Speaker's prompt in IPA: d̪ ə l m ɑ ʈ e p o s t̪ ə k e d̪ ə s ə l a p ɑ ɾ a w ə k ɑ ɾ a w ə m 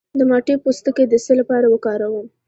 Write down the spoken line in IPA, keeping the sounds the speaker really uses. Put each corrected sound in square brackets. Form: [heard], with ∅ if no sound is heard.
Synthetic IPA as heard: d̪ ə [∅] m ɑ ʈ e p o s t̪ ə k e d̪ ə s ə l a p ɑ ɾ a w ə k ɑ ɾ a w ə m